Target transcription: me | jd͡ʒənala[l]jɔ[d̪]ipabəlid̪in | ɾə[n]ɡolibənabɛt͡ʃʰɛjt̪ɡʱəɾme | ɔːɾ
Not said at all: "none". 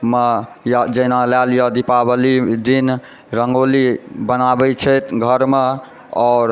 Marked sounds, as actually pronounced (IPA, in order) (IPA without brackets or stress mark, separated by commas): l, d̪, ŋ